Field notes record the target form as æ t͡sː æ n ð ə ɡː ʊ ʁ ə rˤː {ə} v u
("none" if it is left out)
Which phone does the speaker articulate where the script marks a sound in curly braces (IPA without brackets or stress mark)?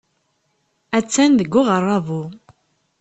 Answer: ɑ